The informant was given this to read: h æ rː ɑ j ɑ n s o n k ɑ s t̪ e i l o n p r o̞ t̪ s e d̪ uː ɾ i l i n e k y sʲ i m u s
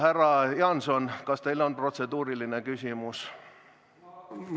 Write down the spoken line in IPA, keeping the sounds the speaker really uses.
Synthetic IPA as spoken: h æ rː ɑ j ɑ n s o n k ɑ s t̪ e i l o n p r o̞ t̪ s e d̪ uː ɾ i l i n e k y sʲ i m u s